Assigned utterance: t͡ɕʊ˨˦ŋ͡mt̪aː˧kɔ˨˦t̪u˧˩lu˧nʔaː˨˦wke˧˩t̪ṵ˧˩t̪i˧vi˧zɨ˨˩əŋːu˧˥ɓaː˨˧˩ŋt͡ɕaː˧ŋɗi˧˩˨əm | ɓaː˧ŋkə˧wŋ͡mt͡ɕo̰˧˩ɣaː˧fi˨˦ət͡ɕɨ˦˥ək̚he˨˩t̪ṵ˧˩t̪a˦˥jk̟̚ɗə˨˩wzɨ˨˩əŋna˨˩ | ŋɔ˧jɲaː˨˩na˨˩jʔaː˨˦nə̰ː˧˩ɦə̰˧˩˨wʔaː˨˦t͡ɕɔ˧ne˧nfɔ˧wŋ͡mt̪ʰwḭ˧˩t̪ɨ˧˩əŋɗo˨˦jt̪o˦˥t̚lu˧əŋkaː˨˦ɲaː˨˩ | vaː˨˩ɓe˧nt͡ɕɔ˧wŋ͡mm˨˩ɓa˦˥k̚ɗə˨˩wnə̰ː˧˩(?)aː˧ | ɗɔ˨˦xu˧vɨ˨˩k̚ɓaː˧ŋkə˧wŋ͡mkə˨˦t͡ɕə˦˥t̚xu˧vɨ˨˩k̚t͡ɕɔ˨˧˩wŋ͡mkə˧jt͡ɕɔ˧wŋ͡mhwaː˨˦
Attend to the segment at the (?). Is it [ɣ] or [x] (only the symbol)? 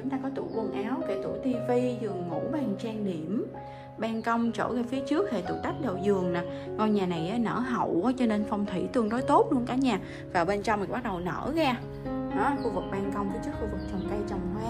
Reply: ɣ